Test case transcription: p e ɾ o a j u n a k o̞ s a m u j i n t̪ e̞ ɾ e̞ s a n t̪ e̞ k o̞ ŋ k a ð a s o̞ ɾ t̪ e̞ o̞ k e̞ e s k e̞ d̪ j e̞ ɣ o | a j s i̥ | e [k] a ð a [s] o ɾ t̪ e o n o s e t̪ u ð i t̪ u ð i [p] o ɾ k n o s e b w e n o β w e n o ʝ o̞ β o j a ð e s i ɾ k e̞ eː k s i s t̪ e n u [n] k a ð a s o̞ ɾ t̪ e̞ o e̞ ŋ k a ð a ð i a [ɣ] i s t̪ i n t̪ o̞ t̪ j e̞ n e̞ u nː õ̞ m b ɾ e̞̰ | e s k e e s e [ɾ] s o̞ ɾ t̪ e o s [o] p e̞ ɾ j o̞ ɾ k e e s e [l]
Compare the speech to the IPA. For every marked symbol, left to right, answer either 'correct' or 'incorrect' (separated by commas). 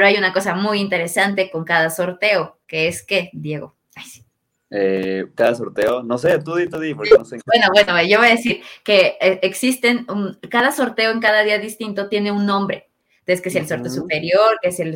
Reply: correct, correct, correct, correct, incorrect, incorrect, incorrect, correct